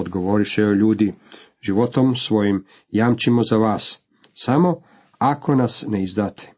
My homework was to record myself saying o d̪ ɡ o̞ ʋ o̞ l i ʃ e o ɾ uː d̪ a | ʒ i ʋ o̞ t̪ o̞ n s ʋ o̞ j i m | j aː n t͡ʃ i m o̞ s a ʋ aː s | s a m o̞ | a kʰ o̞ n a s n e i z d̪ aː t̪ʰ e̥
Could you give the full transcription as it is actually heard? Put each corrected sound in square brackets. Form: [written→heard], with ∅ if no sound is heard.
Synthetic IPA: o d̪ ɡ o̞ ʋ o̞ [l→ɾ] i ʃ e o [ɾ→ʎ] uː d̪ [a→i] | ʒ i ʋ o̞ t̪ o̞ [n→m] s ʋ o̞ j i m | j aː [n→m] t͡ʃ i m o̞ [s→z] a ʋ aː s | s a m o̞ | a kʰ o̞ n a s n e i z d̪ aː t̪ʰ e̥